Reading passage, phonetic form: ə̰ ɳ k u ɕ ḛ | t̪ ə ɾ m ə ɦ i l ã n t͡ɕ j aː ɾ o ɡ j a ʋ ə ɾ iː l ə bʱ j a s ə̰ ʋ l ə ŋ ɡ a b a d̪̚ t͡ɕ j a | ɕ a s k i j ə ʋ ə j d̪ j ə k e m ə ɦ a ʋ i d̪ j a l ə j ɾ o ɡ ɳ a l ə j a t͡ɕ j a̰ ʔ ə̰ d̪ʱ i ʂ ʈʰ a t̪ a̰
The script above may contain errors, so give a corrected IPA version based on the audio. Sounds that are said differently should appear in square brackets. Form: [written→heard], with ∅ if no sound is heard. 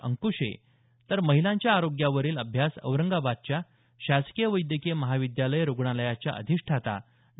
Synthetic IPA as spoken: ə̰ [ɳ→ŋ] k u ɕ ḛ | t̪ ə ɾ m ə ɦ i l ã [n→ɲ] t͡ɕ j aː ɾ o ɡ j a ʋ ə ɾ iː l ə bʱ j a s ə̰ ʋ [l→ɾ] ə ŋ ɡ a b a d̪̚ t͡ɕ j a | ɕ a s k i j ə ʋ ə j d̪ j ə k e m ə ɦ a ʋ i d̪ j a l ə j ɾ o ɡ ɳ a l ə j a t͡ɕ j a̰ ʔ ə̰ d̪ʱ i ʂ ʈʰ a t̪ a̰